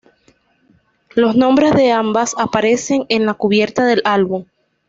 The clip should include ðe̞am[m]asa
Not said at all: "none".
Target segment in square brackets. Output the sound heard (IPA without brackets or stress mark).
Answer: b